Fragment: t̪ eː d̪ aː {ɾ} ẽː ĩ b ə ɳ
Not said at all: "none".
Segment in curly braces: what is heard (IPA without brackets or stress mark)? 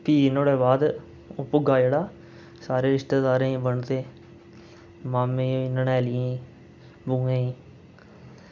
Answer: ɾ